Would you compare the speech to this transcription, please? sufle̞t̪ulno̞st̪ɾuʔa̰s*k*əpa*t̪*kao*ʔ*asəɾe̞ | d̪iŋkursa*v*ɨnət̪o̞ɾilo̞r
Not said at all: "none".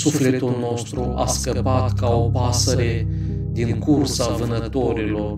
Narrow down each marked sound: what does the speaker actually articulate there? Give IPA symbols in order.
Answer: k, t̪, p, v

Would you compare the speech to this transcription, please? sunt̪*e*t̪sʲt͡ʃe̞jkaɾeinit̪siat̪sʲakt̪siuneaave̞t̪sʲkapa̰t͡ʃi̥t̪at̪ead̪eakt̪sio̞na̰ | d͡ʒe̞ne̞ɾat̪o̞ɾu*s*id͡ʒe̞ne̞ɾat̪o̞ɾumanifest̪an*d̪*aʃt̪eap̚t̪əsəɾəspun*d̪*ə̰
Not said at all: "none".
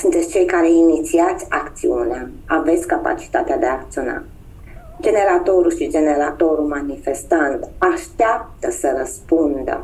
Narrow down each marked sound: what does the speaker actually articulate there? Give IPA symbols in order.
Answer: e, ʃ, t̪, d̪

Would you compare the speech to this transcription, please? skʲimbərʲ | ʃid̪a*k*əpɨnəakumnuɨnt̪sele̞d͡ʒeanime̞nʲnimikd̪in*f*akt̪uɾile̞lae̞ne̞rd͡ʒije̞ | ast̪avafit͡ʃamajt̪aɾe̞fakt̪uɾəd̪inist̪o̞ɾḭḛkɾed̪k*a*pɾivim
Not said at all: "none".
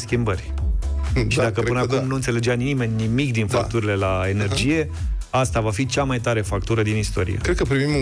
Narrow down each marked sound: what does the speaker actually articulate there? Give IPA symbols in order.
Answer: k, f, ə

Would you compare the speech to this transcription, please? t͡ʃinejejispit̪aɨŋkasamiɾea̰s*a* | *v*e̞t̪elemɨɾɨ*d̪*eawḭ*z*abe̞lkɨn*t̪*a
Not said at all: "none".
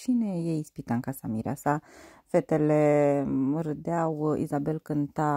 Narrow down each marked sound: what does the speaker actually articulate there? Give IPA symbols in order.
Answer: a, f, d̪, z, t̪

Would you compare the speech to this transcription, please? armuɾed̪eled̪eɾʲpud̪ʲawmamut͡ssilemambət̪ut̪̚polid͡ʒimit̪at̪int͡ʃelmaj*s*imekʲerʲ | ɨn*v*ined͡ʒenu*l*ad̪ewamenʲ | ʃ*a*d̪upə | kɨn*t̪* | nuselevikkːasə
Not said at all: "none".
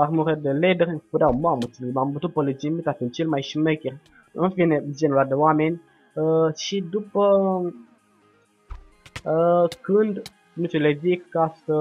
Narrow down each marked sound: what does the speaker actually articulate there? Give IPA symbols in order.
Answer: ʃ, f, l, i, d̪

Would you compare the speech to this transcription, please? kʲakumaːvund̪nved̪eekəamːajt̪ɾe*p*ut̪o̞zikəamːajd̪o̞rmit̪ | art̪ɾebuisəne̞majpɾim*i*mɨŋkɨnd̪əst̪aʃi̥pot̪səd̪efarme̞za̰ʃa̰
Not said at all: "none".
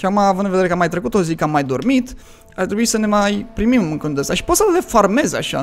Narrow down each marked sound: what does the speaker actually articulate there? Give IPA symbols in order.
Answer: k, i

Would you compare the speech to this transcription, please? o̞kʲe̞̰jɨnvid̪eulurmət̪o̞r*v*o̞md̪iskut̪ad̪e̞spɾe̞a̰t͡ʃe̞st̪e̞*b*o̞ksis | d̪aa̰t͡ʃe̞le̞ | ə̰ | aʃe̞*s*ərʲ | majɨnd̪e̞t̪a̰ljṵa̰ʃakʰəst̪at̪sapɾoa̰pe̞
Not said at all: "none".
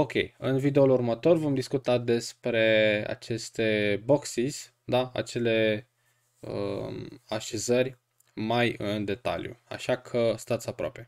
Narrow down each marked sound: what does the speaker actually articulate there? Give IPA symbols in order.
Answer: v, b, z

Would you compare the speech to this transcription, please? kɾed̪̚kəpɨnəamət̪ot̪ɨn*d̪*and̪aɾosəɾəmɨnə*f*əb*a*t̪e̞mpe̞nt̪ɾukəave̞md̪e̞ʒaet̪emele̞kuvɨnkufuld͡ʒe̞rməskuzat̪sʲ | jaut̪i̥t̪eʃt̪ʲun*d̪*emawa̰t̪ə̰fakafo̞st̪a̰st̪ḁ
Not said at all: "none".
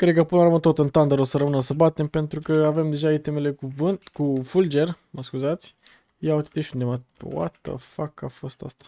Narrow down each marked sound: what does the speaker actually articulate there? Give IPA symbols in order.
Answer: t̪, s, a, d̪

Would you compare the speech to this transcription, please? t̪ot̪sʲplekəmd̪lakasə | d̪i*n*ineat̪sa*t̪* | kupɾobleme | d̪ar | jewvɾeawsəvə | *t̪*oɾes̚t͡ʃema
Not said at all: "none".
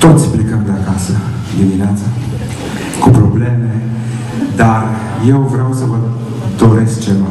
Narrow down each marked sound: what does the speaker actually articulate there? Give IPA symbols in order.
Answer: m, none, d̪

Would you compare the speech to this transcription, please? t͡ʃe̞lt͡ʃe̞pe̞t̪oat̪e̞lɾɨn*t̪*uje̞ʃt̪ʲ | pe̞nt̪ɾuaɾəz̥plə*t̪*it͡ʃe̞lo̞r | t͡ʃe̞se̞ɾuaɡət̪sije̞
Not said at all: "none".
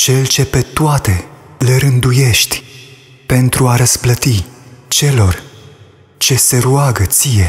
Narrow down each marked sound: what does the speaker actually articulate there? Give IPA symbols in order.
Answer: d̪, t̪

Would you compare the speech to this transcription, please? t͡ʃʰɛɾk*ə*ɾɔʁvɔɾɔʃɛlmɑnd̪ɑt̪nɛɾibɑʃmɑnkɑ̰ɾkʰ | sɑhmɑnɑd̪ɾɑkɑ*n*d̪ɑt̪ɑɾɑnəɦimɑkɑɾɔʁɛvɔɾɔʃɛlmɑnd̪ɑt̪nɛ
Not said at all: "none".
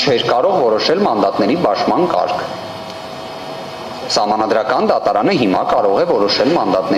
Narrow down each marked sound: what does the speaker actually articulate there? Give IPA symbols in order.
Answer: ɑ, n

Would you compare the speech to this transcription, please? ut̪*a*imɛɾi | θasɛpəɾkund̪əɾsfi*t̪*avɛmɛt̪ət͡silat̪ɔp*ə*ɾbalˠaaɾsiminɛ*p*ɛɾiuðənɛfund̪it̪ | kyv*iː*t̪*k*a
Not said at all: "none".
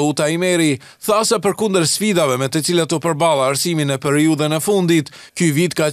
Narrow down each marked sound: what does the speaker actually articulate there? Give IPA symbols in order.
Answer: a, d̪, ə, p, i, k

